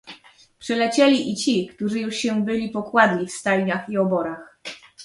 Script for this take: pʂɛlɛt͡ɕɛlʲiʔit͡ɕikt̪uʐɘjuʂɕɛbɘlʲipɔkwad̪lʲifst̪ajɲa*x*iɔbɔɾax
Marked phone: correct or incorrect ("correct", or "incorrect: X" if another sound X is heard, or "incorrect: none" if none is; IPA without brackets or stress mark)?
correct